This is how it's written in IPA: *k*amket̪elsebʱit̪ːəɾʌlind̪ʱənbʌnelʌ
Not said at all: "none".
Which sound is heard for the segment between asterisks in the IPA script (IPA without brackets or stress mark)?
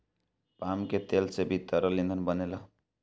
p